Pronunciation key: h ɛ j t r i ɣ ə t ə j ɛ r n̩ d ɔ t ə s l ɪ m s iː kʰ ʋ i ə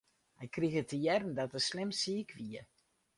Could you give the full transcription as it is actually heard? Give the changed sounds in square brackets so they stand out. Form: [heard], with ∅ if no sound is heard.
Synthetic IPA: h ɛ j [k] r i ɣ ə t ə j ɛ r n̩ d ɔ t ə s l ɪ m s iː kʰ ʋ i ə